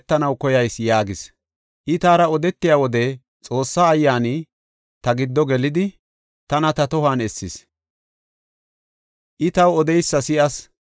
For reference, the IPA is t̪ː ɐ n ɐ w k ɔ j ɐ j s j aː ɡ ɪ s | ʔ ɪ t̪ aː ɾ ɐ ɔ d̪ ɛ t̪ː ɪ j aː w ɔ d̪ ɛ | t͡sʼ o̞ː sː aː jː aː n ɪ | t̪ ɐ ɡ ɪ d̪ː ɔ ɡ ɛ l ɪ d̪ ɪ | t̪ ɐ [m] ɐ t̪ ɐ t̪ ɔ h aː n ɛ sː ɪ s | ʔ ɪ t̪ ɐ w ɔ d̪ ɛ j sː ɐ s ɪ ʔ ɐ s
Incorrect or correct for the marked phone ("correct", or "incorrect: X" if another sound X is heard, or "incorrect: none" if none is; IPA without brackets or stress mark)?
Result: incorrect: n